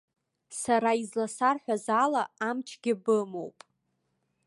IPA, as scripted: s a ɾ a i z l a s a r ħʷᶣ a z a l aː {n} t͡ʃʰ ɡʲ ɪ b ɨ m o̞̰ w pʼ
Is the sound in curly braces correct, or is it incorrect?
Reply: incorrect